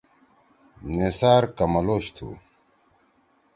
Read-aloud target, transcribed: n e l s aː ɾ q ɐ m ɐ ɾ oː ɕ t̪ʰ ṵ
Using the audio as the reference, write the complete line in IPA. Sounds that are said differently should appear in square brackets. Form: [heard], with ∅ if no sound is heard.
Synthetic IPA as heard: n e [∅] s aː ɾ [k] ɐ m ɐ [l] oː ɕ t̪ʰ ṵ